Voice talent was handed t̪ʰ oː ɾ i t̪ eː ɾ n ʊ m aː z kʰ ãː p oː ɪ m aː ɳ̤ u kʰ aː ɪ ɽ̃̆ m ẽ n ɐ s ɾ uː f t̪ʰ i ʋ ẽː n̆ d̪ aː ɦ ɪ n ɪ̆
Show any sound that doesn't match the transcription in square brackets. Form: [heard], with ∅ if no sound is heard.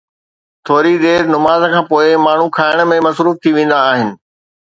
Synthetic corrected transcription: t̪ʰ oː ɾ i [d̪] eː ɾ n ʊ m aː z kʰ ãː p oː ɪ m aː ɳ̤ u kʰ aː ɪ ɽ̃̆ m ẽ [m] ɐ s ɾ uː f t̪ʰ i ʋ ẽː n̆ d̪ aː ɦ ɪ n ɪ̆